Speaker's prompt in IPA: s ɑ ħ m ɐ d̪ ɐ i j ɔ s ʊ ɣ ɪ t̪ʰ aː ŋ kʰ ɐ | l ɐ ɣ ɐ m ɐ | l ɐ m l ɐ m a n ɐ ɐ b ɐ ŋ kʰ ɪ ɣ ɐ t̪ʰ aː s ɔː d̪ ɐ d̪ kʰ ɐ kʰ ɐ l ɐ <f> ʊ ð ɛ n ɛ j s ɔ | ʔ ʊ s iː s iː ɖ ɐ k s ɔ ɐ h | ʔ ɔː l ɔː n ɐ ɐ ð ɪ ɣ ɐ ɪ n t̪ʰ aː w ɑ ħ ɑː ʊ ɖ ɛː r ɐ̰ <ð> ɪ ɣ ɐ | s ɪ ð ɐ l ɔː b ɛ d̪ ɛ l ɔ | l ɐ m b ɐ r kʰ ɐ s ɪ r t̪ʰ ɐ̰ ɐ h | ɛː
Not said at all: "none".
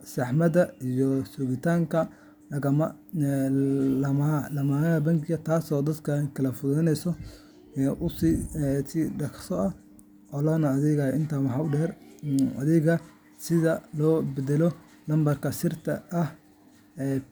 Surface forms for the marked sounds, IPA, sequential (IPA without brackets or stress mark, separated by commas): f, ð